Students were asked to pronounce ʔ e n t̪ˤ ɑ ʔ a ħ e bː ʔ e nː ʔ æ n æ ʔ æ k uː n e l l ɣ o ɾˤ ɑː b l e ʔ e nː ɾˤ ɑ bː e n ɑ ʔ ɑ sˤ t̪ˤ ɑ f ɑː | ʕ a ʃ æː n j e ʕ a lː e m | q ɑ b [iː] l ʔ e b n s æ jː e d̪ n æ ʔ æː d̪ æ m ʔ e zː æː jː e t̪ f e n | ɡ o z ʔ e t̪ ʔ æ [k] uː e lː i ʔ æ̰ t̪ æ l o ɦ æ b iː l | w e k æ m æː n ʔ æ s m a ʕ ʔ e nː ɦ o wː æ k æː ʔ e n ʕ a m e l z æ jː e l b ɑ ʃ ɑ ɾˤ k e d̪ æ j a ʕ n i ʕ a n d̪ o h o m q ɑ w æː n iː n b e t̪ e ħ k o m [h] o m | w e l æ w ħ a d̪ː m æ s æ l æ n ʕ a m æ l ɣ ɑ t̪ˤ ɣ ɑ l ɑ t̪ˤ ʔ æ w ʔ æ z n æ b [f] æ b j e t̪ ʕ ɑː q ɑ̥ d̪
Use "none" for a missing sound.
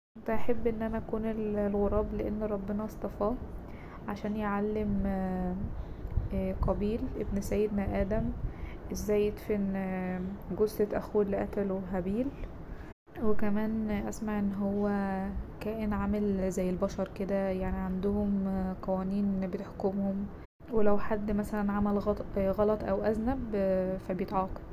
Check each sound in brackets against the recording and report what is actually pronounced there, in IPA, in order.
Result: iː, x, h, f

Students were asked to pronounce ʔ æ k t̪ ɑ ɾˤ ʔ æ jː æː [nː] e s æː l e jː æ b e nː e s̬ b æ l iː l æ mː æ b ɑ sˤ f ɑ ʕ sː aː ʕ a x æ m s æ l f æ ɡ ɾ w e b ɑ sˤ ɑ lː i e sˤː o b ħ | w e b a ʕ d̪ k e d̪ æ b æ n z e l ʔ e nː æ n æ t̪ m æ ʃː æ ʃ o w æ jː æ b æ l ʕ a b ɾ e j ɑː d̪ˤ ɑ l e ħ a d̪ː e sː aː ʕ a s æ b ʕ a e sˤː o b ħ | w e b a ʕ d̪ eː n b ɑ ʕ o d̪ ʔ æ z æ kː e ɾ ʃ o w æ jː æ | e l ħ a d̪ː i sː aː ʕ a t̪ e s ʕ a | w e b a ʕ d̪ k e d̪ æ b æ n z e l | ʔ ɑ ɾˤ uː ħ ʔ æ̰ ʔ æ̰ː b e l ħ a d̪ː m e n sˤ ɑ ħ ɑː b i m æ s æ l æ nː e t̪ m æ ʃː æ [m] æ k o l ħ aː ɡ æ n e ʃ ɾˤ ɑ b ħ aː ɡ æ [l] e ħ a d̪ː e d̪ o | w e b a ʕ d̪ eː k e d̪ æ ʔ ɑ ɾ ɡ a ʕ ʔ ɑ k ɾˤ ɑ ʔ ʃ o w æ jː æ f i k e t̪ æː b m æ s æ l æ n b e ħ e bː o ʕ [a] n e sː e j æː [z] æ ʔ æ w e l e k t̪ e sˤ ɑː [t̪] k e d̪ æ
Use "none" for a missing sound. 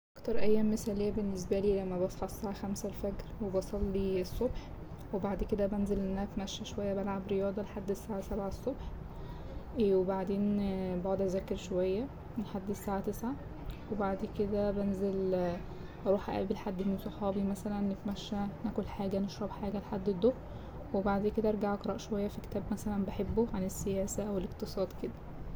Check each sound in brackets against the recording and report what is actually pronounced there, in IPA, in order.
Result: mː, n, l, a, s, d̪

